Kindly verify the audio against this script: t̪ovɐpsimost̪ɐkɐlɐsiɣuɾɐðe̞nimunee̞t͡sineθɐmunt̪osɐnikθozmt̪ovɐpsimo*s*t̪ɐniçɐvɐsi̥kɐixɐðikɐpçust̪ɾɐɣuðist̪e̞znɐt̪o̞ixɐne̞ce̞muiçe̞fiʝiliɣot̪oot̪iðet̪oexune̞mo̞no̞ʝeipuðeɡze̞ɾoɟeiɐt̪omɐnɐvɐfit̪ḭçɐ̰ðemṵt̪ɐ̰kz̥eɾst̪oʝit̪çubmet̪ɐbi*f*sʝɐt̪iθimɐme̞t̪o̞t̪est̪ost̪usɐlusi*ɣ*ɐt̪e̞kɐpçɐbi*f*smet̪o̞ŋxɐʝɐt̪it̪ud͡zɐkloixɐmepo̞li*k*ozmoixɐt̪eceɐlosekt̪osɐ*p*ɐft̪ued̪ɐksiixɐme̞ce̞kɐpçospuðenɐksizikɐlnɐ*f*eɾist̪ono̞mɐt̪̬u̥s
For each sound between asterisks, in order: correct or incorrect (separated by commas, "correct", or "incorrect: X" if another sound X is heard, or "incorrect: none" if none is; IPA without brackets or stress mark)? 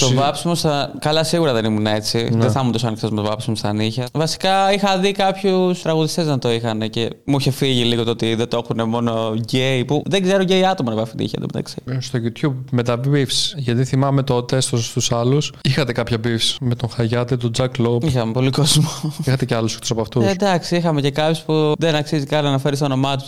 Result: correct, correct, incorrect: x, correct, correct, correct, correct